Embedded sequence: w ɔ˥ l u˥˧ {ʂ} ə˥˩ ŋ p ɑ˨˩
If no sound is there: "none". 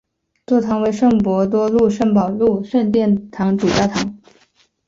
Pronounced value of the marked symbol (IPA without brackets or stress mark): ʂ